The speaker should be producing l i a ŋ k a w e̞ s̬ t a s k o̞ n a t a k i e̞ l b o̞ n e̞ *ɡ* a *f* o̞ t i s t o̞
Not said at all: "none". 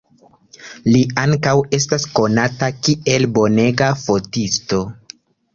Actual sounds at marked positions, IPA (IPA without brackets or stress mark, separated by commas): ɡ, f